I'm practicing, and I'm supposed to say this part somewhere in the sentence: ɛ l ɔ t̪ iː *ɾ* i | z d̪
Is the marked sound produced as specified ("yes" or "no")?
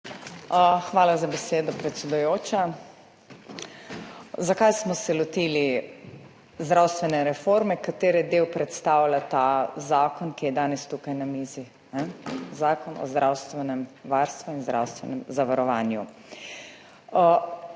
no